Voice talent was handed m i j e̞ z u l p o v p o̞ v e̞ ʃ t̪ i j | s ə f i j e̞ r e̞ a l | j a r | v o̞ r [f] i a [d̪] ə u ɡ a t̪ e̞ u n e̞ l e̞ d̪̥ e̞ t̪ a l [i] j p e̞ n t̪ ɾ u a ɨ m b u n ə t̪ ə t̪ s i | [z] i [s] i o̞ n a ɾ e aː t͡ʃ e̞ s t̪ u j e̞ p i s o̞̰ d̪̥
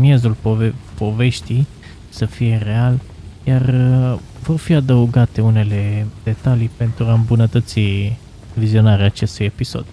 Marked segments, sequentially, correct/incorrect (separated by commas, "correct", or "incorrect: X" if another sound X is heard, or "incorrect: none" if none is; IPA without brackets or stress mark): correct, correct, correct, incorrect: v, incorrect: z